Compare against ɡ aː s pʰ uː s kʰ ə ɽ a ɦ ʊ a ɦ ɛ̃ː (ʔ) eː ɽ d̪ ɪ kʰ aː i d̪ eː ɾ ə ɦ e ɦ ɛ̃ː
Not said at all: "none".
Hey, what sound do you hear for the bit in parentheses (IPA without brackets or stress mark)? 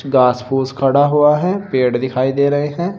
p